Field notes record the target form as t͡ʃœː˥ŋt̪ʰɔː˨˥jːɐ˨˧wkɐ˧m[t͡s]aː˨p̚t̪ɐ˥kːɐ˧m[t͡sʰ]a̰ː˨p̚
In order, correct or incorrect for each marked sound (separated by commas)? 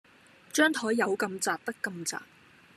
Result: correct, incorrect